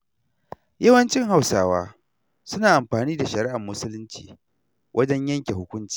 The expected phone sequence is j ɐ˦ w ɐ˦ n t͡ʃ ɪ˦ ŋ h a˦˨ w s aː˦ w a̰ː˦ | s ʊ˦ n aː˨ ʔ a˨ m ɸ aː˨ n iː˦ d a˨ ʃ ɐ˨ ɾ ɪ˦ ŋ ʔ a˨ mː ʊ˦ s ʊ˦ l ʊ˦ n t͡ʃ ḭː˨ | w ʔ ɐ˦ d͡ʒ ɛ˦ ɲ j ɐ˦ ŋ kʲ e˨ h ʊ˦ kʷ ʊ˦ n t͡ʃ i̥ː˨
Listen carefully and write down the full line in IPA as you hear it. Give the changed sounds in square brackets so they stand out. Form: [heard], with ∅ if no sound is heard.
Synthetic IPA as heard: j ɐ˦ w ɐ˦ n t͡ʃ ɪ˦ ŋ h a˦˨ w s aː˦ w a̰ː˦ | s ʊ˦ n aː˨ ʔ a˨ m ɸ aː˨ n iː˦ d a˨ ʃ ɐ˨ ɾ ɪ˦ [∅] ʔ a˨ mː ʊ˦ s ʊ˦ l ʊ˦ n t͡ʃ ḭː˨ | w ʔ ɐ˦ d͡ʒ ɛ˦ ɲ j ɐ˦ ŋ kʲ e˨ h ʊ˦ kʷ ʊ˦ n t͡ʃ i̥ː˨